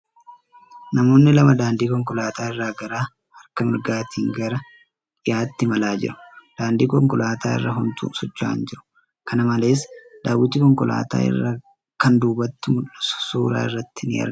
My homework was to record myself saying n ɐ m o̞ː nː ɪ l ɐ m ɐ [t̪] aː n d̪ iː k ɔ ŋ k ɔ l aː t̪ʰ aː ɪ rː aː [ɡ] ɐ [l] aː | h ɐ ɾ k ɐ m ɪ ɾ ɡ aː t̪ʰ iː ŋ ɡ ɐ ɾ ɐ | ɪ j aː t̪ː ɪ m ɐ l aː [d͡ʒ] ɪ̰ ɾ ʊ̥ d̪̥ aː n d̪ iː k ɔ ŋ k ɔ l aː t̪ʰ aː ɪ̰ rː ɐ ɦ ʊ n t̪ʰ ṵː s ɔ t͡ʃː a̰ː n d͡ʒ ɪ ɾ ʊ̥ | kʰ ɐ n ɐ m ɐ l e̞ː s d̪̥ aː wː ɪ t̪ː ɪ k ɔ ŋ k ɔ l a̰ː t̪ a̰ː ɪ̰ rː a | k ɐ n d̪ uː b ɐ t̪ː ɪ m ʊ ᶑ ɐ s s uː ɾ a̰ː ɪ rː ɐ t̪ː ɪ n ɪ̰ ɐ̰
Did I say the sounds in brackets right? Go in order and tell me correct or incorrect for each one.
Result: incorrect: d̪, correct, incorrect: ɾ, correct

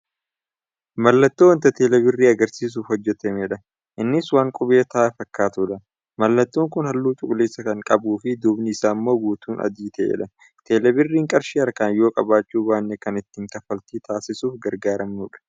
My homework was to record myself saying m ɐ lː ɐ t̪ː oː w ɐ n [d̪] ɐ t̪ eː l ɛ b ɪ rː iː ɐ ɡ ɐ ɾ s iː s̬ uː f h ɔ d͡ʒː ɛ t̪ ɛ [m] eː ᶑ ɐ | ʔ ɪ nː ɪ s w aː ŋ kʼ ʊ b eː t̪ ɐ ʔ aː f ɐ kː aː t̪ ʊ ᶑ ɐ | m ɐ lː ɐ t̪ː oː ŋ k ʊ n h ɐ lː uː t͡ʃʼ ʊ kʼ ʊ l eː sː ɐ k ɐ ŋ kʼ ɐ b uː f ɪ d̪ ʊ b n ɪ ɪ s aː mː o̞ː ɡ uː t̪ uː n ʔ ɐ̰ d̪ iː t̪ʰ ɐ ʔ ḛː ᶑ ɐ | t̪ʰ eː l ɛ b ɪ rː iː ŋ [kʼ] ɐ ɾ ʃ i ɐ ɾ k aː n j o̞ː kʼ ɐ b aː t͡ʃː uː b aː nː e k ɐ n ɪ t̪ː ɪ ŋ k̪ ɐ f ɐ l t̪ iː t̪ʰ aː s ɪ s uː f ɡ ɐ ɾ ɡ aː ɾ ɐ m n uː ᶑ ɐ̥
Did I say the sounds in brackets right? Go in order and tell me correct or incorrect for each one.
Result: incorrect: t̪, correct, correct

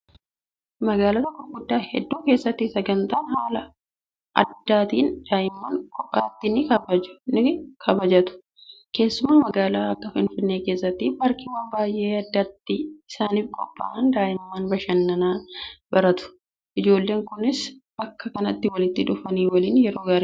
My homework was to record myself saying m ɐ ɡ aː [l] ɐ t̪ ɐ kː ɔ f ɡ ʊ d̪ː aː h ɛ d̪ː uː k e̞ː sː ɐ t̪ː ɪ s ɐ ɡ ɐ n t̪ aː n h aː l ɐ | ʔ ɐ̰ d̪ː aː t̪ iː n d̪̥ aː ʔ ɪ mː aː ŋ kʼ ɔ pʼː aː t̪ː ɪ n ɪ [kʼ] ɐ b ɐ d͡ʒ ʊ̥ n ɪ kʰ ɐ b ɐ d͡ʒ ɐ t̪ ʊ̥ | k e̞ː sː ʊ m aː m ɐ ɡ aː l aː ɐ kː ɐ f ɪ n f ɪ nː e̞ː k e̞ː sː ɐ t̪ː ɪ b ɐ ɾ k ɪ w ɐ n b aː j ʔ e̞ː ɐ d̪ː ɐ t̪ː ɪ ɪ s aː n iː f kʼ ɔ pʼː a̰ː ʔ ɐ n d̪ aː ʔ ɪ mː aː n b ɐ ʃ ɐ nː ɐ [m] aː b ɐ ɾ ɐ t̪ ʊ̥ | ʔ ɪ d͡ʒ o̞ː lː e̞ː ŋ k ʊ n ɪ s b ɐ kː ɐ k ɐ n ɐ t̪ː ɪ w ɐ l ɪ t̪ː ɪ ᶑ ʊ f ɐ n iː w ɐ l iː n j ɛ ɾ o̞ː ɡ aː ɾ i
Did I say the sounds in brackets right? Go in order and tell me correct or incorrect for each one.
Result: correct, incorrect: k, incorrect: n

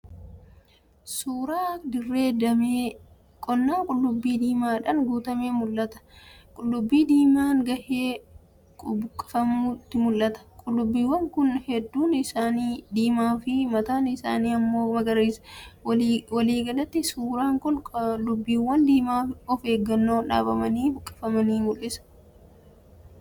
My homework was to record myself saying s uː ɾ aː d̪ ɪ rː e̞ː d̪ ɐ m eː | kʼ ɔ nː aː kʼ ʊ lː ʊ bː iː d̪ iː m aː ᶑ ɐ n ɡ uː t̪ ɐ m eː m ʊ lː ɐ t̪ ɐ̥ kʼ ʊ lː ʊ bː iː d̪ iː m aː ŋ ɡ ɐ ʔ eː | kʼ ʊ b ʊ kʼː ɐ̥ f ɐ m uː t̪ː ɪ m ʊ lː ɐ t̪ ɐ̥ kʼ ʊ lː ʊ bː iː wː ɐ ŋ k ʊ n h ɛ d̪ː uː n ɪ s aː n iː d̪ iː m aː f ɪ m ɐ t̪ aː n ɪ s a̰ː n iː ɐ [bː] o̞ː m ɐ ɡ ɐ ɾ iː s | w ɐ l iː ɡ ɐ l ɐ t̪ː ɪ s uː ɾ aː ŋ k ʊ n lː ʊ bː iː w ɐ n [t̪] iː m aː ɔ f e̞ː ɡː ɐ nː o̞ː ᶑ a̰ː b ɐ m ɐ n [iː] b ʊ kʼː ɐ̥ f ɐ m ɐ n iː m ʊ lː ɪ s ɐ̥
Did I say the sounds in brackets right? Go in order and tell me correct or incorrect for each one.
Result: incorrect: mː, incorrect: d̪, correct

